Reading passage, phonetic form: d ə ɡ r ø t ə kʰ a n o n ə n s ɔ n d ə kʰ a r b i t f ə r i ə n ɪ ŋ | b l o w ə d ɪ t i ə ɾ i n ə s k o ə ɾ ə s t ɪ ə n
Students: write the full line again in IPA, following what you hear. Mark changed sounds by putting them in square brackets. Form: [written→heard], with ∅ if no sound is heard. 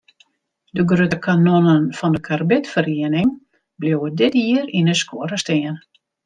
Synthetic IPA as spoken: d ə ɡ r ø t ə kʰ a n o n ə n [s→f] ɔ n d ə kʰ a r b [i→ɪ] t f ə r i ə n ɪ ŋ | b l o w ə d ɪ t i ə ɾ i n ə s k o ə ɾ ə s t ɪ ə n